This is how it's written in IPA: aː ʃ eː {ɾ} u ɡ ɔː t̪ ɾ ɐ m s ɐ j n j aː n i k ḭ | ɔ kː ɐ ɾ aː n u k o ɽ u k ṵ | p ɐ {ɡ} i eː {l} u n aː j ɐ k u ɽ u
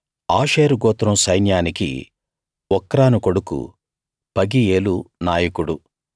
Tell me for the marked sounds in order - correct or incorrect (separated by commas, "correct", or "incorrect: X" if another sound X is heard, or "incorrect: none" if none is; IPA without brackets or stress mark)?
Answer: correct, correct, correct